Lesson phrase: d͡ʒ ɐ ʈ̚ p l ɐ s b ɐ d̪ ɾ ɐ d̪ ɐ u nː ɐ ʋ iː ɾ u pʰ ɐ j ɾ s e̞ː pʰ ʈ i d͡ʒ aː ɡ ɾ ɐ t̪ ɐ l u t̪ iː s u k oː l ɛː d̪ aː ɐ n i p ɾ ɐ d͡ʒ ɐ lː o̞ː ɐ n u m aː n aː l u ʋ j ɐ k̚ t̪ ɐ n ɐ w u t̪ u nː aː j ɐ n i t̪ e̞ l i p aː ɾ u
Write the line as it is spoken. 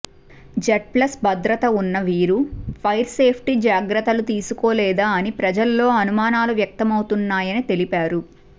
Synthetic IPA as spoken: d͡ʒ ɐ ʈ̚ p l ɐ s b ɐ d̪ ɾ ɐ t̪ ɐ u nː ɐ ʋ iː ɾ u pʰ ɐ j ɾ s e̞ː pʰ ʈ i d͡ʒ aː ɡ ɾ ɐ t̪ ɐ l u t̪ iː s u k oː l ɛː d̪ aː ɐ n i p ɾ ɐ d͡ʒ ɐ lː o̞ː ɐ n u m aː n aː l u ʋ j ɐ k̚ t̪ ɐ m ɐ w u t̪ u nː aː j ɐ n i t̪ e̞ l i p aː ɾ u